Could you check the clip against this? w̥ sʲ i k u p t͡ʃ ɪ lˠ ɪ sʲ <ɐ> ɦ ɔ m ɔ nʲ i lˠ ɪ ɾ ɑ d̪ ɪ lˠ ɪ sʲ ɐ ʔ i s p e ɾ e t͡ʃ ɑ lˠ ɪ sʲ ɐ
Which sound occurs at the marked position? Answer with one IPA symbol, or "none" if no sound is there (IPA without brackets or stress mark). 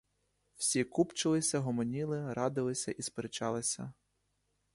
ɐ